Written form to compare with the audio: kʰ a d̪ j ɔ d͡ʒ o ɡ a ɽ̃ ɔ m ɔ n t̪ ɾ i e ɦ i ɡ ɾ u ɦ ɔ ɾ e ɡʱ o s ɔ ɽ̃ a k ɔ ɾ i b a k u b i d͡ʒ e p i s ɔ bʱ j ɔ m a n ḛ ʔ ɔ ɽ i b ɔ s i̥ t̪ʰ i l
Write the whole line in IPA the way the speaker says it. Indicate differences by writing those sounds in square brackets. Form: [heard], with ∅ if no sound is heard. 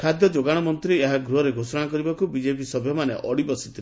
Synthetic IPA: kʰ a d̪ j ɔ d͡ʒ o ɡ a ɽ̃ ɔ m ɔ n t̪ ɾ i e ɦ [a] ɡ ɾ u ɦ ɔ ɾ e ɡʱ o s ɔ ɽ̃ a k ɔ ɾ i b a k u b i d͡ʒ e p i s ɔ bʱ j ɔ m a n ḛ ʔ ɔ ɽ i b ɔ s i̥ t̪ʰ i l